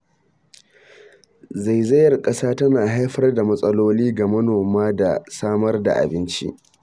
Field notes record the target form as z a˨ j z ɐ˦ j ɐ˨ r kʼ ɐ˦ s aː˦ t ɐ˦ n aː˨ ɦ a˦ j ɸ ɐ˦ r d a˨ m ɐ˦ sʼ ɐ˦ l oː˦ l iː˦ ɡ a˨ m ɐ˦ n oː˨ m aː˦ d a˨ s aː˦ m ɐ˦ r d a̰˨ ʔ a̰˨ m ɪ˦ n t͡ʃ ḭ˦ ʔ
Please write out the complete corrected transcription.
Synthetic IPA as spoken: z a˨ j z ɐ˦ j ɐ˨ r kʼ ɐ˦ s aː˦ t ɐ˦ n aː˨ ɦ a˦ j ɸ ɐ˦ r d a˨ m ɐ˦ sʼ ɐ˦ l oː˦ l iː˦ ɡ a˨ m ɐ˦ n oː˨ m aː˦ d a˨ s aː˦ m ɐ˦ r d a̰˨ ʔ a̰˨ b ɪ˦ n t͡ʃ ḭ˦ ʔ

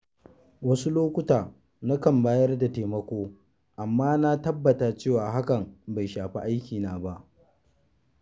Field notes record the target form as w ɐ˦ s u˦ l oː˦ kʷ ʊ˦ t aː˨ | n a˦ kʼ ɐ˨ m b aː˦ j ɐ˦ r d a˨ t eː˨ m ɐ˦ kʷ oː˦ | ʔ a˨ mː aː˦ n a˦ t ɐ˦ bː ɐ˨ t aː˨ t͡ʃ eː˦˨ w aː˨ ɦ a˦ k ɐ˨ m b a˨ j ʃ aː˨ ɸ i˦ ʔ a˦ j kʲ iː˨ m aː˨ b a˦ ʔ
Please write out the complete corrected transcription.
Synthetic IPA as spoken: w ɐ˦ s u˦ l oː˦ kʷ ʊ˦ t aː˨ | n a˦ k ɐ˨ m b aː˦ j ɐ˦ r d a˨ t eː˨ m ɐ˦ kʷ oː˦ | ʔ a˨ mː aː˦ n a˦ t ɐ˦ bː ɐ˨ t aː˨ t͡ʃ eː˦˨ w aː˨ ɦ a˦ k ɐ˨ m b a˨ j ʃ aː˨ ɸ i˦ ʔ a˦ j kʲ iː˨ n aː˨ b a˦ ʔ

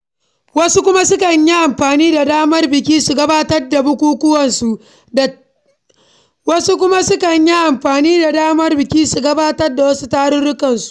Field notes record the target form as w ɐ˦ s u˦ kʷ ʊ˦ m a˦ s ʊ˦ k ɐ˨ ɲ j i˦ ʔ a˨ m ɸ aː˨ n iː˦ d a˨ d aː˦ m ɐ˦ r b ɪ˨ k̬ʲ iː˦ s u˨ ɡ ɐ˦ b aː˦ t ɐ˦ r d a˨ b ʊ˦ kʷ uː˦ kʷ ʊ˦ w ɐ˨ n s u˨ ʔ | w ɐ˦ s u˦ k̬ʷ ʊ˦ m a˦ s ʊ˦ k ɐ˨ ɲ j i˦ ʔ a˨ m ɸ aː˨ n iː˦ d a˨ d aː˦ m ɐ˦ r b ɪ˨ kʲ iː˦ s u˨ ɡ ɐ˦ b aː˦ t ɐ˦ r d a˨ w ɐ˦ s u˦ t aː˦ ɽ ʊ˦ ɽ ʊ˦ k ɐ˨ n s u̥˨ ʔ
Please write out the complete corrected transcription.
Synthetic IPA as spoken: w ɐ˦ s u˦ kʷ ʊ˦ m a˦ s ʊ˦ k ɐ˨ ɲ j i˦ ʔ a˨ m ɸ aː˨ n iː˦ d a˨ d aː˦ m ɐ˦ r b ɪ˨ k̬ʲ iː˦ s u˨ ɡ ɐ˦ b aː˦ t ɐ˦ r d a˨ b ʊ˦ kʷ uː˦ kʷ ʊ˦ w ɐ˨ n s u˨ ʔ | w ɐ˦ s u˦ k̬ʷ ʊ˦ m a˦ s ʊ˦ k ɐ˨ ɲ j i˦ ʔ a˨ m ɸ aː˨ n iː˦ d a˨ d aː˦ m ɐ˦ r b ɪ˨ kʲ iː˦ s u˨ ɡ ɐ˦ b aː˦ t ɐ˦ r d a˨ w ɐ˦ s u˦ t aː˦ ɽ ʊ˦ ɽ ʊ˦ k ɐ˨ n s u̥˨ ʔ

